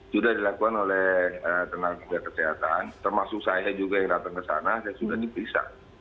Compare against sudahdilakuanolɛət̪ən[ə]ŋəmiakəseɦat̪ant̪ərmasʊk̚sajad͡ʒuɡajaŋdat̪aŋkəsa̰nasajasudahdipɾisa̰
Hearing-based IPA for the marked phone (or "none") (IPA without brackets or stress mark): a